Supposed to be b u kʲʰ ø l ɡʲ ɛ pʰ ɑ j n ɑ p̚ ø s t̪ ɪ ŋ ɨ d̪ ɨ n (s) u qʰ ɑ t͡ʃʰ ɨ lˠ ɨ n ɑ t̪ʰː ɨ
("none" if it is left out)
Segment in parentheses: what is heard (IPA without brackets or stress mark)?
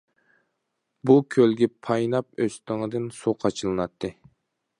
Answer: s